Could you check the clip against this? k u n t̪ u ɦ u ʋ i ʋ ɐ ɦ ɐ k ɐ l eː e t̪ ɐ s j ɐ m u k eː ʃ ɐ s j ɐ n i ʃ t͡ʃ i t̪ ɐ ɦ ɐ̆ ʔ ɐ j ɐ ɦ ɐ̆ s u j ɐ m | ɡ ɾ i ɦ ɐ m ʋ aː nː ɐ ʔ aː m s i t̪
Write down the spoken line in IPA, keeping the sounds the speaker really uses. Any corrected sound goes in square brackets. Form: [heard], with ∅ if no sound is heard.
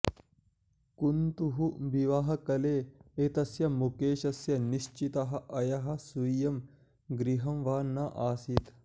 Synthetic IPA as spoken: k u n t̪ u ɦ u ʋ i ʋ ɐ ɦ ɐ k ɐ l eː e t̪ ɐ s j ɐ m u k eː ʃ ɐ s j ɐ n i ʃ t͡ʃ i t̪ ɐ ɦ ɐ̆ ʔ ɐ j ɐ ɦ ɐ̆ s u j ɐ m | ɡ ɾ i ɦ ɐ m ʋ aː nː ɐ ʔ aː [∅] s i t̪